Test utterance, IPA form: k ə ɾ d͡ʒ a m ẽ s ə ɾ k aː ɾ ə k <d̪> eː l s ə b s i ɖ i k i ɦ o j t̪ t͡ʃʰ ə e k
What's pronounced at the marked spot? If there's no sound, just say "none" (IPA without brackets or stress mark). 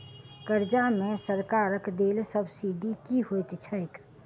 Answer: d̪